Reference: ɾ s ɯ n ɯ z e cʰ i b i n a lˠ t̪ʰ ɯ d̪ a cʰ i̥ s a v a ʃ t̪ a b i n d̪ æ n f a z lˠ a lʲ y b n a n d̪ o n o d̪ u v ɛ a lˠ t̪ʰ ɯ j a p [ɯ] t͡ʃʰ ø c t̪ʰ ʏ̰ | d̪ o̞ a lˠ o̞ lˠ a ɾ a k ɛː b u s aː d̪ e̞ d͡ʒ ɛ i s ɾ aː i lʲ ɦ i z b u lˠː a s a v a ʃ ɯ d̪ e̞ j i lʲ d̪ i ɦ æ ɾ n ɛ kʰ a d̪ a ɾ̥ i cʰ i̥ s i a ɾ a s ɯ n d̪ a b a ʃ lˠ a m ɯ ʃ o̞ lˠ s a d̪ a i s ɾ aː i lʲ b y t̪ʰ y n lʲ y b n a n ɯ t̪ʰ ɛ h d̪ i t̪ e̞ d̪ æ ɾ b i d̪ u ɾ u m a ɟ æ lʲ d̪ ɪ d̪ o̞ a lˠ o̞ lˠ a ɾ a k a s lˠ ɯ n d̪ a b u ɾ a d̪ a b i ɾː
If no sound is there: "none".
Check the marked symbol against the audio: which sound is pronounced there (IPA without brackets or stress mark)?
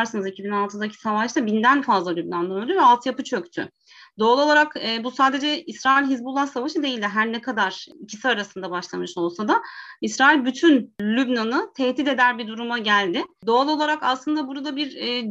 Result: ɯ